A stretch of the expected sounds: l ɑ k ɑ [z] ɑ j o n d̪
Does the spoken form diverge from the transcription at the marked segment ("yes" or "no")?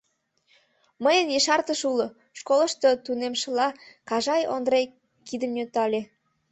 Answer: yes